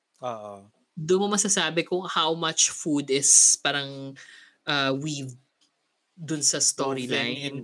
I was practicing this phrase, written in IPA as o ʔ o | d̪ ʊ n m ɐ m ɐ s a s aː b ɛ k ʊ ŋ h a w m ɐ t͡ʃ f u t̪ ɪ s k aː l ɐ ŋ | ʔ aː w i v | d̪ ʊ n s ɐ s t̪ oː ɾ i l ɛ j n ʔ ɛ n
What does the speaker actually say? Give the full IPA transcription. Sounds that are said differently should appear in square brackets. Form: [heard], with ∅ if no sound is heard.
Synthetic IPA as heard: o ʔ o | d̪ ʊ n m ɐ m ɐ s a s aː b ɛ k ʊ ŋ h a w m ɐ t͡ʃ f u [d̪] ɪ s [p] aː [ɾ] ɐ ŋ | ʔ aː w i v | d̪ ʊ n s ɐ s t̪ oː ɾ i l [a] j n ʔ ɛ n